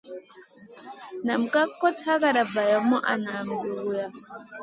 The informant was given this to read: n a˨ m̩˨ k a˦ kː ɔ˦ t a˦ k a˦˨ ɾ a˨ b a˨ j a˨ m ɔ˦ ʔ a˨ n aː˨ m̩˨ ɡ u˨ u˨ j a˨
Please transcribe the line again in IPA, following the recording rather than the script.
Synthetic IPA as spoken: n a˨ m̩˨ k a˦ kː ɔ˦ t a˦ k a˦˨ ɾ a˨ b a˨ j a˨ m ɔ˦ ʔ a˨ n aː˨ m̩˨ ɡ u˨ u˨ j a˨